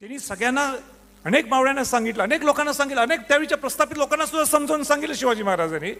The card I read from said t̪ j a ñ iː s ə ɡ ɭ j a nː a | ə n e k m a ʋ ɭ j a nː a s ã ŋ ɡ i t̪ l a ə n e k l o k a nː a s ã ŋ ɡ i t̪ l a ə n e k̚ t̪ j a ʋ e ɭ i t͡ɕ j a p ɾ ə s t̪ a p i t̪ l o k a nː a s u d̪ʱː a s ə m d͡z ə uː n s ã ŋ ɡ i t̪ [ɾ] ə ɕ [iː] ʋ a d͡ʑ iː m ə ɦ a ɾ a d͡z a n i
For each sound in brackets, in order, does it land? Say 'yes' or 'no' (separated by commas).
no, no